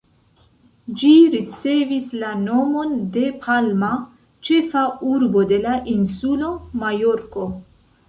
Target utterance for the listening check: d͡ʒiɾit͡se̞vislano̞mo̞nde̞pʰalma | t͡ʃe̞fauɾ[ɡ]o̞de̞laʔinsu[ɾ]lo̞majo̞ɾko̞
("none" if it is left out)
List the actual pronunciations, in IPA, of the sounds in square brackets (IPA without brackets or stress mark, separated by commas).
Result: b, none